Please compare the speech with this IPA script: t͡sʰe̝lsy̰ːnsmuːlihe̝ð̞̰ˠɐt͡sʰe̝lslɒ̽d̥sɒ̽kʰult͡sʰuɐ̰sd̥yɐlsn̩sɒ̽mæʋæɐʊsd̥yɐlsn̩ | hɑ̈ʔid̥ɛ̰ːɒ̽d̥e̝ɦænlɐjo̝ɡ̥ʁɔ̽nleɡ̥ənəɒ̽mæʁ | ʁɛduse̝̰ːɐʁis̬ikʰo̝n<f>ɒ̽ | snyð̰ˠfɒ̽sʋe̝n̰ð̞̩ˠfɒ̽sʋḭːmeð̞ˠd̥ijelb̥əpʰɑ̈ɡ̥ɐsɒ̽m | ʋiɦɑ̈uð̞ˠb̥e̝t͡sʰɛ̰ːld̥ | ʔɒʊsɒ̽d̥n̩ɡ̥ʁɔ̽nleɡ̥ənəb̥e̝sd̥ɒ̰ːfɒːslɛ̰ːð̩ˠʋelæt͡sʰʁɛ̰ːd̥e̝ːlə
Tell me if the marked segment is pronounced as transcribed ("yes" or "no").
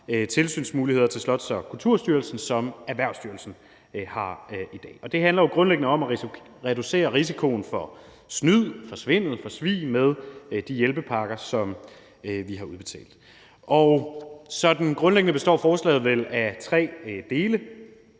yes